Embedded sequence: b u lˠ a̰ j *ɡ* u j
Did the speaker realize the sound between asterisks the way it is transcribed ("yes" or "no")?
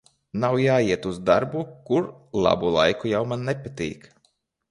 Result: no